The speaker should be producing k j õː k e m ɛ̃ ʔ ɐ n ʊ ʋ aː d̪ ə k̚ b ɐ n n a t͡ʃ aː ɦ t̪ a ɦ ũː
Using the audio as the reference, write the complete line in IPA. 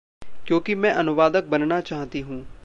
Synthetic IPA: k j õː k i m ɛ̃ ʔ ɐ n ʊ ʋ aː d̪ ə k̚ b ɐ n n a t͡ʃ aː ɦ t̪ i ɦ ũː